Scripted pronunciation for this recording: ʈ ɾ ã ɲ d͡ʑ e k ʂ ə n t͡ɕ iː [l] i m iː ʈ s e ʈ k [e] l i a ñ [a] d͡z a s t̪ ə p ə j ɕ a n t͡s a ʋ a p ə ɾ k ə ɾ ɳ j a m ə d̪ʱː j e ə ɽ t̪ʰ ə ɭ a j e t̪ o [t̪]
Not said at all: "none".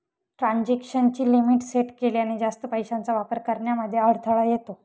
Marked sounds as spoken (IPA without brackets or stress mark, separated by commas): l, e, i, none